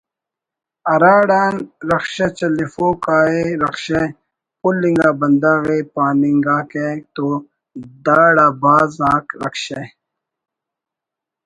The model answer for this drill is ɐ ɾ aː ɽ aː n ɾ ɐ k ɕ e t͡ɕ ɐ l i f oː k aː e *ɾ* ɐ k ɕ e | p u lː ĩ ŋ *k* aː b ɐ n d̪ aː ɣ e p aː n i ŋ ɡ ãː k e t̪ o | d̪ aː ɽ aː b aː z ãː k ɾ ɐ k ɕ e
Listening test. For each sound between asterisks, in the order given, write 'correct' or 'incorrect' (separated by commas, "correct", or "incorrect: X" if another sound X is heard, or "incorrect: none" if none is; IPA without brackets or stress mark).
correct, incorrect: ɡ